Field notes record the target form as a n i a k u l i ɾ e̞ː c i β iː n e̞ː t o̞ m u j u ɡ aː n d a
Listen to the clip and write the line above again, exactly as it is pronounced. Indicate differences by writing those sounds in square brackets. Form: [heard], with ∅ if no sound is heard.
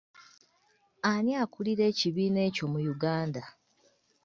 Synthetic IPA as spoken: a n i a k u l i ɾ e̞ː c i β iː n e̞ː [c] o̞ m u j u ɡ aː n d a